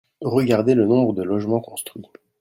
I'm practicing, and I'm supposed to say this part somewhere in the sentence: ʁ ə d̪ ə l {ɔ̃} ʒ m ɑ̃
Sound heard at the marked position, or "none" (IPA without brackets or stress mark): ɔ